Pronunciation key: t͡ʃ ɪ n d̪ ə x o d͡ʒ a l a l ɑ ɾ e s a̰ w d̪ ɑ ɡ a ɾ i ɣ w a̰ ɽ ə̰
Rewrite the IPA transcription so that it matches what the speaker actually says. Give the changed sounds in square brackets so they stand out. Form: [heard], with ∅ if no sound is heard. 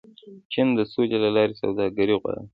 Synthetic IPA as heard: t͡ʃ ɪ n d̪ ə [s] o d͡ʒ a l a l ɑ ɾ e s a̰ w d̪ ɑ ɡ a ɾ i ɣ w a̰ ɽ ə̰